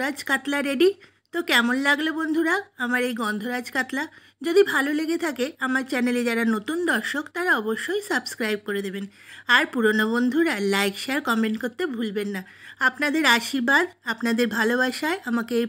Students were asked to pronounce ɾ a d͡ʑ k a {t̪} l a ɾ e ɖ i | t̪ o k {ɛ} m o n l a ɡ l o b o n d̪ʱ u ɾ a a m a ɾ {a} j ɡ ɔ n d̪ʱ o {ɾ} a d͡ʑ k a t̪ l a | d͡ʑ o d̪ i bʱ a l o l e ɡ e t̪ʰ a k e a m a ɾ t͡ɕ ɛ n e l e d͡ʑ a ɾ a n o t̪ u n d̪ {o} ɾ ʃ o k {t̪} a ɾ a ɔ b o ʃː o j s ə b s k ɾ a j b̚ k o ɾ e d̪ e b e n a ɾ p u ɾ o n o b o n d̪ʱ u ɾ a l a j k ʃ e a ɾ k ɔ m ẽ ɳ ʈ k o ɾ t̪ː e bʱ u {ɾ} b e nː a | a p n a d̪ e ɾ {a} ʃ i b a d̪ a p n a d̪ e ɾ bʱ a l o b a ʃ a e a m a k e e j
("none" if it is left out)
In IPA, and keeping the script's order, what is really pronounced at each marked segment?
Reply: t̪, ɛ, e, ɾ, ɔ, t̪, l, a

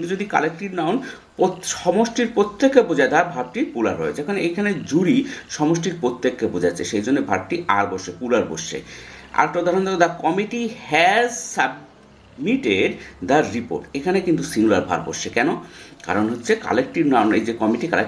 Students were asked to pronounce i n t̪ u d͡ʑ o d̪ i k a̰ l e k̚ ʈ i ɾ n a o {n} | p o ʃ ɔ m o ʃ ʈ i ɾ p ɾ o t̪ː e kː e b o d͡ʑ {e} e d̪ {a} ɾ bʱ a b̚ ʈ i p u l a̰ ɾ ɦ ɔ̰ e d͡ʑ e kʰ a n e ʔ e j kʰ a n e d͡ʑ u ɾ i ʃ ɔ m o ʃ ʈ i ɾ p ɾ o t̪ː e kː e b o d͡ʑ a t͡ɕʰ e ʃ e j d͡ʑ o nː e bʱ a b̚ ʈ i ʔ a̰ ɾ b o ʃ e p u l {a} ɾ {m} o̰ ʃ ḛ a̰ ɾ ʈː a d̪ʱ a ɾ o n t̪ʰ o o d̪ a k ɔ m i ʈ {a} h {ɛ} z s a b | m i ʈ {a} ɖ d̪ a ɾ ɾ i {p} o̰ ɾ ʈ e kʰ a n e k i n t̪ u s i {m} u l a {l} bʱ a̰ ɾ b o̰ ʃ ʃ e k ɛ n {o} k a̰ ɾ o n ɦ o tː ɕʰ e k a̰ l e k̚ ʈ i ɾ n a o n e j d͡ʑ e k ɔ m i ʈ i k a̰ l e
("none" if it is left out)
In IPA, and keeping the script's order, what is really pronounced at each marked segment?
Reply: n, a, a, a, b, i, ɛ, e, p, ŋ, ɾ, o

